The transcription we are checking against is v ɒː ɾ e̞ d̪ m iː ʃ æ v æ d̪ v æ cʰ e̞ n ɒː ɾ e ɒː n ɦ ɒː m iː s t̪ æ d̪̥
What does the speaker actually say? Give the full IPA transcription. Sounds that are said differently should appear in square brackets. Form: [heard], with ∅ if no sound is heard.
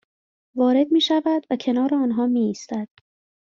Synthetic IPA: v ɒː ɾ e̞ d̪ m iː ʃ æ v æ d̪ v æ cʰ e̞ n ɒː ɾ e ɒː n ɦ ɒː m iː s t̪ æ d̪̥